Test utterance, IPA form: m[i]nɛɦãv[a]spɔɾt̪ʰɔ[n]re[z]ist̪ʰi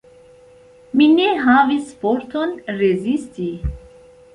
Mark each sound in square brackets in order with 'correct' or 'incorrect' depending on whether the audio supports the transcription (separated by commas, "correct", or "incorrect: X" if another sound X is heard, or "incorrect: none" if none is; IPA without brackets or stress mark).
correct, incorrect: i, correct, correct